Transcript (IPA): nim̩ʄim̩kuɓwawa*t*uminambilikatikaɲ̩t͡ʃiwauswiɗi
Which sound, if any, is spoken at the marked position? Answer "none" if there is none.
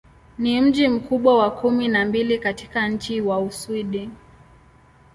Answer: k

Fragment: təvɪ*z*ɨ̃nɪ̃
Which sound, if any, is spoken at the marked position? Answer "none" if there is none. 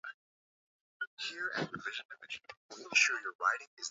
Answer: ʒ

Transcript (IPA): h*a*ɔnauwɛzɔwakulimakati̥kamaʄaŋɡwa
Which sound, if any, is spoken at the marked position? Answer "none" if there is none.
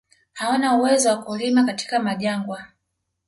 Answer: a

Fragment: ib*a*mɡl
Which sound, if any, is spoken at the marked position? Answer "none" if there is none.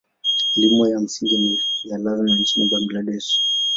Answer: a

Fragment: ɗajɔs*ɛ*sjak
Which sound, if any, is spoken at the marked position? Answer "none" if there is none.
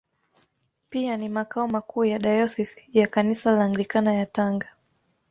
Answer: i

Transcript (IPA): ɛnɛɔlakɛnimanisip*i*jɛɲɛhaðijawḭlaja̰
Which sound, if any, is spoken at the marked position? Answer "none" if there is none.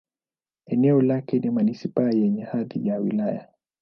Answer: a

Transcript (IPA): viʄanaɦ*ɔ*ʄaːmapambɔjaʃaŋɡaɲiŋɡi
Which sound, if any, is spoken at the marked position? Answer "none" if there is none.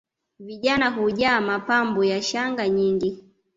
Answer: u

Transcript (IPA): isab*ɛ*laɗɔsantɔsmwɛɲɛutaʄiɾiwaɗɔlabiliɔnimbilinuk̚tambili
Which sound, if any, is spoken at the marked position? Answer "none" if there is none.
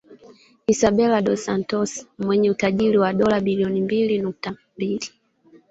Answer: ɛ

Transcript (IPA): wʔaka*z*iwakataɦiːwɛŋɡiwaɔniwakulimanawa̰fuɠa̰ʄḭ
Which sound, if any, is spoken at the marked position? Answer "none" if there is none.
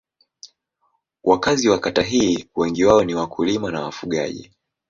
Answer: z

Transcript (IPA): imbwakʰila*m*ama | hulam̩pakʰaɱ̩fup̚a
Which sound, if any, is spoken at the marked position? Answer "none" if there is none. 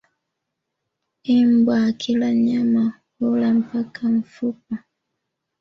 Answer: ɲ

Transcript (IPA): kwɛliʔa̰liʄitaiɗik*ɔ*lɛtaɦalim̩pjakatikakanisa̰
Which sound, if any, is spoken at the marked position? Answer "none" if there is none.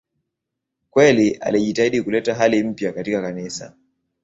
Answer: u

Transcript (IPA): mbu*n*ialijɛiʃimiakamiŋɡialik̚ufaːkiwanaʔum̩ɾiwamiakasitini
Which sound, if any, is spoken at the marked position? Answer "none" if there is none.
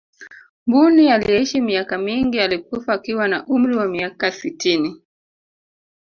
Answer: n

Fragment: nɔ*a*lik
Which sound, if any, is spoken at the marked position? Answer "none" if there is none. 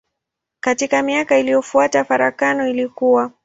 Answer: i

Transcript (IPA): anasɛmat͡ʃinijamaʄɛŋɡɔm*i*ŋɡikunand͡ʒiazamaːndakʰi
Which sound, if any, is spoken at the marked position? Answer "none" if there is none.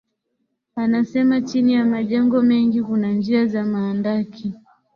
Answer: ɛ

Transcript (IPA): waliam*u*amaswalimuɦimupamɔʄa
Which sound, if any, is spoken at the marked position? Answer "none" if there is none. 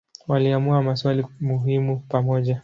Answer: u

